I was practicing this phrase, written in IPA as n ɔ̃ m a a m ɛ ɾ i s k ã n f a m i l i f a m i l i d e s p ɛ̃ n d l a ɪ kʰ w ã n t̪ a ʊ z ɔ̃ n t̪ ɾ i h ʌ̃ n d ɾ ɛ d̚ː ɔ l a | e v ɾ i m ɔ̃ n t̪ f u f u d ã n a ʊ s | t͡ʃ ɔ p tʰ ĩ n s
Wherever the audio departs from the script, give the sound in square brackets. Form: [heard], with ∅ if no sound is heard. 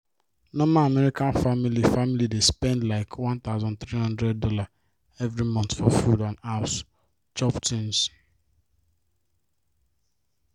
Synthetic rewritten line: n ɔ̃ m a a m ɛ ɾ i [∅] k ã n f a m i l i f a m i l i d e s p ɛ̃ n d l a ɪ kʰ w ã n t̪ a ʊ z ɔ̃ n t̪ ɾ i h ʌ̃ n d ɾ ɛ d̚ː ɔ l a | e v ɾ i m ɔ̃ n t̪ f [ɔ] f u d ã n a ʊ s | t͡ʃ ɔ p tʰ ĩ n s